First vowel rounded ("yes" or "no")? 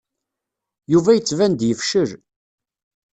yes